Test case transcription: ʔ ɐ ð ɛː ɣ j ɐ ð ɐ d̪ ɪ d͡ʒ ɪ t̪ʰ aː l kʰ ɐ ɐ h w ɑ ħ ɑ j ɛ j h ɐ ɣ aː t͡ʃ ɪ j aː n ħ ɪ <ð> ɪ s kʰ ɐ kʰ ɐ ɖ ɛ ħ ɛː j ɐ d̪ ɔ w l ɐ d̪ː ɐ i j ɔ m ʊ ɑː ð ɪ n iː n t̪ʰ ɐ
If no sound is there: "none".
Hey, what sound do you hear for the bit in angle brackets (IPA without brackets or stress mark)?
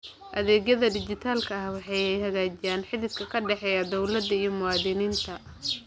ð